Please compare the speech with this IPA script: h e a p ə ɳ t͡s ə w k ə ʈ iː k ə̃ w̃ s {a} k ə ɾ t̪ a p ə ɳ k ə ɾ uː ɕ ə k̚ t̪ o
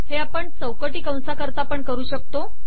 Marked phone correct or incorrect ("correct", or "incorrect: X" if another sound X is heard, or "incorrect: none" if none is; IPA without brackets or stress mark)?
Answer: correct